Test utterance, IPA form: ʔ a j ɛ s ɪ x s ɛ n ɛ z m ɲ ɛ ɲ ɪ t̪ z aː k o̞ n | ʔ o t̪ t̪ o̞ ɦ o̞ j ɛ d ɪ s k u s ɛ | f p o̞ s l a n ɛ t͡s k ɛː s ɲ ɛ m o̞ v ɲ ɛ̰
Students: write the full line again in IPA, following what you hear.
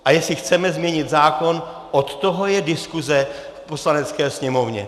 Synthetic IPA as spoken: ʔ a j ɛ s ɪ x t͡s ɛ m ɛ z m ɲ ɛ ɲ ɪ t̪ z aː k o̞ n | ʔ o t̪ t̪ o̞ ɦ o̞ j ɛ d ɪ s k u z ɛ | f p o̞ s l a n ɛ t͡s k ɛː s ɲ ɛ m o̞ v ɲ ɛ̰